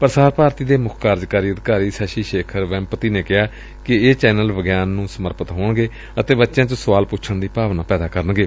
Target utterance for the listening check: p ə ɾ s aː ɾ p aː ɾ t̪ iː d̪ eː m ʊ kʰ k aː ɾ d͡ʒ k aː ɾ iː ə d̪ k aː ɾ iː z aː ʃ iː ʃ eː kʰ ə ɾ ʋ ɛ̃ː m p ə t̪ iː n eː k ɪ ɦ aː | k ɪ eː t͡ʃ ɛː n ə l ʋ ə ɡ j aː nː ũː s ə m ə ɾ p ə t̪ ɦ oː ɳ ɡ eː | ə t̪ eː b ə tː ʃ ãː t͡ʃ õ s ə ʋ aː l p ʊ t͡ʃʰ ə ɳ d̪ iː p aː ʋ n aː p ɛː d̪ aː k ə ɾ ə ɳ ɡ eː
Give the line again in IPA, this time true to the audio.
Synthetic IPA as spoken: p ə ɾ s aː ɾ p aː ɾ t̪ iː d̪ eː m ʊ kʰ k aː ɾ d͡ʒ k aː ɾ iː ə d̪ k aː ɾ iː s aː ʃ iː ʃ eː kʰ ə ɾ ʋ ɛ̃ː m p ə t̪ iː n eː k ɪ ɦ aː | k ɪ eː t͡ʃ ɛː n ə l ʋ ə ɡ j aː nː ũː s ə m ə ɾ p ə t̪ ɦ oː ɳ ɡ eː | ə t̪ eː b ə tː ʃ ãː t͡ʃ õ s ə ʋ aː l p ʊ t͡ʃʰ ə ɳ d̪ iː p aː ʋ n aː p ɛː d̪ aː k ə ɾ ə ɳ ɡ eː

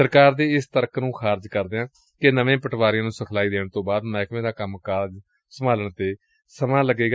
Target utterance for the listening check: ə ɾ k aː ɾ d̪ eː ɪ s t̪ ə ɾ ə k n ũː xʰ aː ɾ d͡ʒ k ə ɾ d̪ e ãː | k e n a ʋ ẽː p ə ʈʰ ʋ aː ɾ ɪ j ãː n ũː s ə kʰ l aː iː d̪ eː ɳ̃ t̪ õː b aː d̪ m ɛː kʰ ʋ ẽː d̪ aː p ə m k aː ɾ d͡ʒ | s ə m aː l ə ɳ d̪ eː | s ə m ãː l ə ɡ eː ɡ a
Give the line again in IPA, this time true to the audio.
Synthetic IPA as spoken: ə ɾ k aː ɾ d̪ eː ɪ s t̪ ə ɾ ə k n ũː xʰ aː ɾ d͡ʒ k ə ɾ d̪ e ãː | k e n ə ʋ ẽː p ə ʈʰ ʋ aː ɾ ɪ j ãː n ũː s ə kʰ l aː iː d̪ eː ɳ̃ t̪ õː b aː d̪ m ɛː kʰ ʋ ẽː d̪ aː k ə m k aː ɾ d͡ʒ | s ə m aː l ə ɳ t̪ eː | s ə m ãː l ə ɡ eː ɡ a

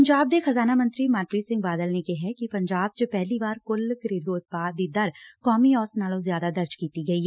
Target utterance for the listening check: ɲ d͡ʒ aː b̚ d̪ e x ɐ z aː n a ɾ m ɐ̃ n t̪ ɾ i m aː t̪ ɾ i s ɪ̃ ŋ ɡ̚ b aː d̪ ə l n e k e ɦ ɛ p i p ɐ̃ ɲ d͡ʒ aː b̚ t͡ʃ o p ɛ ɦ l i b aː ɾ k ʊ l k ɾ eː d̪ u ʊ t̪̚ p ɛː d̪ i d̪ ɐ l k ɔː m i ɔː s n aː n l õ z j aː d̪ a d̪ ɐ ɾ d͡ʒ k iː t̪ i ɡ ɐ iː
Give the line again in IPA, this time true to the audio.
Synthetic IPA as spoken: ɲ d͡ʒ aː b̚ d̪ e x ɐ z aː n a m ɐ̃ n t̪ ɾ i m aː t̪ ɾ i s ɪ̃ ŋ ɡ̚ b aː d̪ ə l n e k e ɦ ɛ k i p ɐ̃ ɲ d͡ʒ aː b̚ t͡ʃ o p ɛ ɦ l i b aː ɾ k ʊ l k ɾ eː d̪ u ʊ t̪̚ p aː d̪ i d̪ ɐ ɾ k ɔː m i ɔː s n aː l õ z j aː d̪ a d̪ ɐ ɾ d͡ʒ k iː t̪ i ɡ ɐ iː

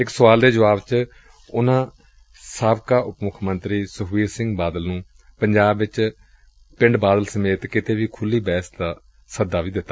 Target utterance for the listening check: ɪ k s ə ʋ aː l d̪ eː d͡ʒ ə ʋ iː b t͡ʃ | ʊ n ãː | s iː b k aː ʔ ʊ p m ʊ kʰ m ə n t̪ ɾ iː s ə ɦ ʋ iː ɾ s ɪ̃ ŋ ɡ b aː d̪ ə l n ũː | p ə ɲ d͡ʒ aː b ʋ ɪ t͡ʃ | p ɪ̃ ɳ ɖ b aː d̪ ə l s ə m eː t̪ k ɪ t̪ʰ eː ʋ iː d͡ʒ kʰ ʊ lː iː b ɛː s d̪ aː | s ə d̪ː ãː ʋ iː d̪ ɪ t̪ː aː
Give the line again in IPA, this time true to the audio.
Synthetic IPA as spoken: ɪ k s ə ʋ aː l d̪ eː d͡ʒ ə ʋ aː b t͡ʃ | ʊ n ãː | s aː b k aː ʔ ʊ p m ʊ kʰ m ə n t̪ ɾ iː s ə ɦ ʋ iː ɾ s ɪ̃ ŋ ɡ b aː d̪ ə l n ũː | p ə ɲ d͡ʒ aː b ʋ ɪ t͡ʃ | p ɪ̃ ɳ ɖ b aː d̪ ə l s ə m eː t̪ k ɪ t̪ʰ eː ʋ iː kʰ ʊ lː iː b ɛː s d̪ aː | s ə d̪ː aː ʋ iː d̪ ɪ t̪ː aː

